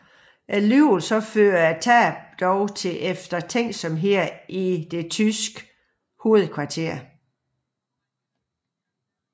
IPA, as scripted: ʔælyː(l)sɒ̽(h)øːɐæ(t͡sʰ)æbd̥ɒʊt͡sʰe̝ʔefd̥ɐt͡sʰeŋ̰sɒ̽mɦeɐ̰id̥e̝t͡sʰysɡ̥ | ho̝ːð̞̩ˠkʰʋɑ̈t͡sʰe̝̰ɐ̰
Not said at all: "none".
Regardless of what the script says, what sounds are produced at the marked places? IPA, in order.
l, f, t͡sʰ

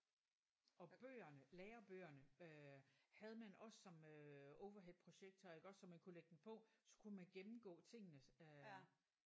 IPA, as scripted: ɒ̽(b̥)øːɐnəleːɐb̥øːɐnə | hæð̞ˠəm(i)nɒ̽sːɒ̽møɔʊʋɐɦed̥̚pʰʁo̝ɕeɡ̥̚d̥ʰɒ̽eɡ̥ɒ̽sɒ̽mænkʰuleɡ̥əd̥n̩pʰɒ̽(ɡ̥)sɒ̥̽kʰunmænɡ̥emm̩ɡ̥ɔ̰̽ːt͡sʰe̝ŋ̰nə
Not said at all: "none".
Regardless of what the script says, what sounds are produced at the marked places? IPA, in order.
b̥, æ, none

